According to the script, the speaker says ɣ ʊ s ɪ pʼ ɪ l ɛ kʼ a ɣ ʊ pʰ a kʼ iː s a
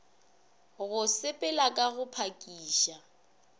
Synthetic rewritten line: ɣ ʊ s ɪ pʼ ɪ l a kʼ a ɣ ʊ pʰ a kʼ iː ʃ a